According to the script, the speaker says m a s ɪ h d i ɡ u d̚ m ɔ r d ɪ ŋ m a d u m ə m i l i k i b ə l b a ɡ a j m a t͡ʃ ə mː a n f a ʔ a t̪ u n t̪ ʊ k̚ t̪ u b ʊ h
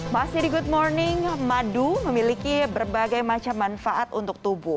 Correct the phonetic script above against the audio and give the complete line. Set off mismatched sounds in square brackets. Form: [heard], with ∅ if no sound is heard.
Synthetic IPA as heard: m a s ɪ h d i ɡ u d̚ m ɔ r [n] ɪ ŋ m a d u m ə m i l i k i b ə [r] b a ɡ a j m a t͡ʃ [a] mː a n f a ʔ a t̪ u n t̪ ʊ k̚ t̪ u b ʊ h